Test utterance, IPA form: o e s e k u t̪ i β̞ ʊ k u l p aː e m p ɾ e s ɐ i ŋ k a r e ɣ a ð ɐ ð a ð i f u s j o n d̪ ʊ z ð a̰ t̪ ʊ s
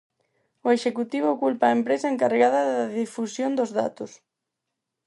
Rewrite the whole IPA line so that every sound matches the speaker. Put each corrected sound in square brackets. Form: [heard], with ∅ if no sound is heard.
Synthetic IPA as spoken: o e [ʃ] e k u t̪ i β̞ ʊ k u l p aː e m p ɾ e s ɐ [e] ŋ k a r e ɣ a ð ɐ ð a ð i f u s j o n d̪ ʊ z ð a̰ t̪ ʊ s